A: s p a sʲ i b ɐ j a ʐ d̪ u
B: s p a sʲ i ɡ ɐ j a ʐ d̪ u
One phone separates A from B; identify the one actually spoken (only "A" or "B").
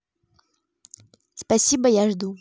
A